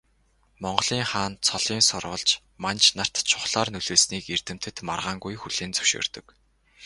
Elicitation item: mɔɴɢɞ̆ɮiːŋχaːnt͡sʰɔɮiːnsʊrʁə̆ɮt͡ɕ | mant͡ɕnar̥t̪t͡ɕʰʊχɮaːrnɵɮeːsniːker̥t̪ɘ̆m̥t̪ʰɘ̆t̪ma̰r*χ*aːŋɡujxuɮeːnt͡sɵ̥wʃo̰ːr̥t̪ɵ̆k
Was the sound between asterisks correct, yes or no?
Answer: no